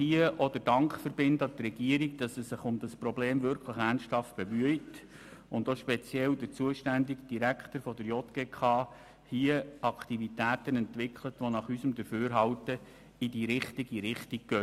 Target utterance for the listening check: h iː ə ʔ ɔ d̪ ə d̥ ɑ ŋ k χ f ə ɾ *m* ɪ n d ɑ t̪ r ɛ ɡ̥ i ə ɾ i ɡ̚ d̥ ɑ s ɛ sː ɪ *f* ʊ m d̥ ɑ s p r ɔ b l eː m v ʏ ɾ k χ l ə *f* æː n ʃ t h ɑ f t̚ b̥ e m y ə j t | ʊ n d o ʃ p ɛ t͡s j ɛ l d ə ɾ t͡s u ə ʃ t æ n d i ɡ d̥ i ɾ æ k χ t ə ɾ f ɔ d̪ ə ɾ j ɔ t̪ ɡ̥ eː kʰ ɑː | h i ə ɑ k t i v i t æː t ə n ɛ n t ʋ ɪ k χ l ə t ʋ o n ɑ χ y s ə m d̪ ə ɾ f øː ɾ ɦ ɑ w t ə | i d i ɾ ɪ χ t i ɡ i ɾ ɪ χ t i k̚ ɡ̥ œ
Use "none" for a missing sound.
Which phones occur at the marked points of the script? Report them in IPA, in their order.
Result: b, χ, χ

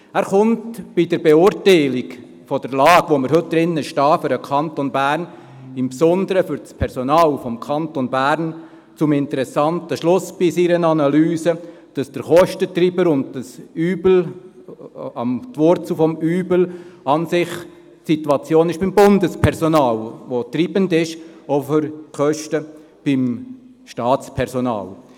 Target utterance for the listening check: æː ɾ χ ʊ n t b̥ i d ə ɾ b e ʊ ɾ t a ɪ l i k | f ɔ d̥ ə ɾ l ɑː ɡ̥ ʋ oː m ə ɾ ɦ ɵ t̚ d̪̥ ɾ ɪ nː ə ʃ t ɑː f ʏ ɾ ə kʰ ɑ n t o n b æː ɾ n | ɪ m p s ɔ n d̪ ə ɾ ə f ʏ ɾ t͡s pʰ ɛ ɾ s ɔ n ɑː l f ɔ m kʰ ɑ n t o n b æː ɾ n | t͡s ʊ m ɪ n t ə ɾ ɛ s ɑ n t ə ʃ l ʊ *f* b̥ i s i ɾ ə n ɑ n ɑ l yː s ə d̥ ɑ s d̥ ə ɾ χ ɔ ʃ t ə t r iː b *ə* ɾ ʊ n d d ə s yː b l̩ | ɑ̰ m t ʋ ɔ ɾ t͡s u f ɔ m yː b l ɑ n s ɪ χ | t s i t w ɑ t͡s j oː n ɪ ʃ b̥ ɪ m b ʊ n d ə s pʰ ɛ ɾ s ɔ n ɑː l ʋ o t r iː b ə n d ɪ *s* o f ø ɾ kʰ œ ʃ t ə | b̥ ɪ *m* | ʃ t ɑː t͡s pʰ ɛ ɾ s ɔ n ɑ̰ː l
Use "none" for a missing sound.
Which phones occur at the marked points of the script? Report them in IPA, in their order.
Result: s, ə, ʃ, m

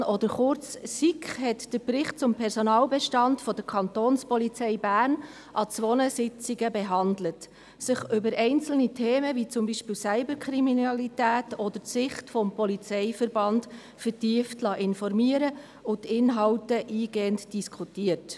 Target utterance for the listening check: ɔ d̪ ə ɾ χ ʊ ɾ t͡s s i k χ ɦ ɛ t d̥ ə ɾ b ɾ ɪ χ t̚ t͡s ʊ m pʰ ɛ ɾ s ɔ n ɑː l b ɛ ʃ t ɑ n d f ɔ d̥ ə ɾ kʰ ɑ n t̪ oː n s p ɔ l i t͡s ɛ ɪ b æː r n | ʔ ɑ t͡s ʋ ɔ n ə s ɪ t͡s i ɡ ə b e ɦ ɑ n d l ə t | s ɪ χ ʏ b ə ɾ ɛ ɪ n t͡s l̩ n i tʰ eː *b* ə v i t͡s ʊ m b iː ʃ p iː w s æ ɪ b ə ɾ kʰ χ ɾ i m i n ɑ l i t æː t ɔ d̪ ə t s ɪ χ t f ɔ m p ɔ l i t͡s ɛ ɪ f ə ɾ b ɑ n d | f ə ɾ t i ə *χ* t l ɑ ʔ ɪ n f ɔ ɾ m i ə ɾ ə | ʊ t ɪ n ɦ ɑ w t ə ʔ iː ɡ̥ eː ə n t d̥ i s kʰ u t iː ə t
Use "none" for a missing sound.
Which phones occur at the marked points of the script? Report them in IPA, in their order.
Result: m, f

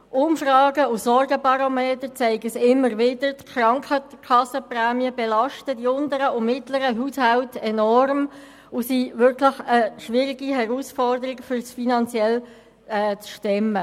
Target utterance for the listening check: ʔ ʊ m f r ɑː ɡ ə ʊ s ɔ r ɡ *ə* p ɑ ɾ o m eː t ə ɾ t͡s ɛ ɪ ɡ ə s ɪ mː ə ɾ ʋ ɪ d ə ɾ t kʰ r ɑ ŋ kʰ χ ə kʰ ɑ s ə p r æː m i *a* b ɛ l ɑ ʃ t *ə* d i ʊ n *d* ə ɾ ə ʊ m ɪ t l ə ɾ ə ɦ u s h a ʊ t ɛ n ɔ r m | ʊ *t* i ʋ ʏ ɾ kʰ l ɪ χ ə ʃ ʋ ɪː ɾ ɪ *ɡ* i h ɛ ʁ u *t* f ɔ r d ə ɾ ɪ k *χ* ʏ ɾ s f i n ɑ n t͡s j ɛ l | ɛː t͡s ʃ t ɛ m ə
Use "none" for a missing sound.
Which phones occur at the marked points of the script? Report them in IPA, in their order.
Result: ə, ə, ə, d, s, ɡ, s, f

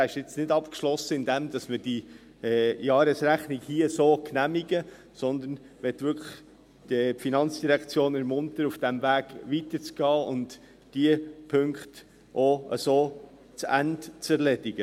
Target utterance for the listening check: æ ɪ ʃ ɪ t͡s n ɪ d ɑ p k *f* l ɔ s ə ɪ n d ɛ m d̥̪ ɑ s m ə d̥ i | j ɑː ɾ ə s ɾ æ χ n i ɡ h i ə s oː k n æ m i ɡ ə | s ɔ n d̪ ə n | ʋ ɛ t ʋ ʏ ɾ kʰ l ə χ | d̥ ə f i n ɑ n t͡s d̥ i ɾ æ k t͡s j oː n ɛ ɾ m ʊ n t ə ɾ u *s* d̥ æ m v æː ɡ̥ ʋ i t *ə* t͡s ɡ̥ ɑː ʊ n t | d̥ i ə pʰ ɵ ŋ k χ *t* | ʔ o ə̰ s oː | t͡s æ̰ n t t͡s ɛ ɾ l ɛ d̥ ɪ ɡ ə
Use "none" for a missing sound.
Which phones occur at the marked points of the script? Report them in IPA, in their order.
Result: ʃ, f, ə, t

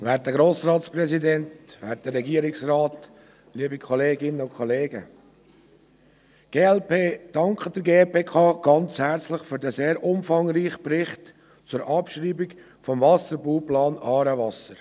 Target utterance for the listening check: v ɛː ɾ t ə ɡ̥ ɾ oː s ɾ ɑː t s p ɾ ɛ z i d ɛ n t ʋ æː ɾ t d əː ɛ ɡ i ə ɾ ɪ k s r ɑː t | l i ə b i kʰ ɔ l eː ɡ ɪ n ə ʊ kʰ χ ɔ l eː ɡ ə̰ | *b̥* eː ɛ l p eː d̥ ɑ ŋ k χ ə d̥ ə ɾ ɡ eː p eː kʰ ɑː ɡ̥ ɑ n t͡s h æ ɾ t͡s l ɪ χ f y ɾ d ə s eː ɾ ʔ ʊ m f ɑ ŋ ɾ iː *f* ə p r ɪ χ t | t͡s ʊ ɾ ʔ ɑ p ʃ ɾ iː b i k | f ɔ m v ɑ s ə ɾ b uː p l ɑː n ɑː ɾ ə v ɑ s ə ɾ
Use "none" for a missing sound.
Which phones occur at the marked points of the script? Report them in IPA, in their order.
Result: ɡ̥, χ

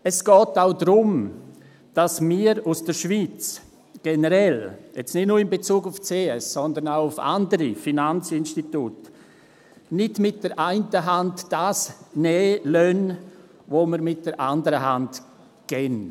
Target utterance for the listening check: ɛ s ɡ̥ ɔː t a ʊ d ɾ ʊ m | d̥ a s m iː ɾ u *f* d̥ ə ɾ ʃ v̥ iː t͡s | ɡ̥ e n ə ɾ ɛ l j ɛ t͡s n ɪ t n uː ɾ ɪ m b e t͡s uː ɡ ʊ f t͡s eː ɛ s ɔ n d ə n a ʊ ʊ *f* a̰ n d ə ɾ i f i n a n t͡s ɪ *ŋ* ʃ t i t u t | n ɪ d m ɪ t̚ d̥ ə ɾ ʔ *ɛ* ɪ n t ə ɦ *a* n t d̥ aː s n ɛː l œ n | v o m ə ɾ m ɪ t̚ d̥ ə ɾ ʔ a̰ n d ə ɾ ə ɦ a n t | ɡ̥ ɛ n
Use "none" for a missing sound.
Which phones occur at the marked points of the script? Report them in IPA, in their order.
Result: s, f, n, a, a

